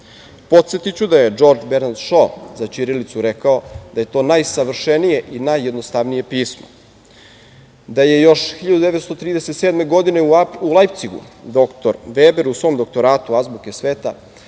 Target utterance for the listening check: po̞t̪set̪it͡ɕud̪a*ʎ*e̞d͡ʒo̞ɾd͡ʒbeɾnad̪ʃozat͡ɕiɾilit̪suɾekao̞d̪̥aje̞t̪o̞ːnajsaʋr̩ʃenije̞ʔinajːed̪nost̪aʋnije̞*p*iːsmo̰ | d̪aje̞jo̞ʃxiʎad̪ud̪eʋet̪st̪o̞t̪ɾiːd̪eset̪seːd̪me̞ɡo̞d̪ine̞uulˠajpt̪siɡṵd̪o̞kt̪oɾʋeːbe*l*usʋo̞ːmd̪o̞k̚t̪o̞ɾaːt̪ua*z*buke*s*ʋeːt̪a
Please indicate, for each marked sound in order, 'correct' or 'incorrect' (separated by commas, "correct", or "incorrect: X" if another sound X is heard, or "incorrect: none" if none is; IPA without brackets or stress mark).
incorrect: j, correct, incorrect: ɾ, correct, correct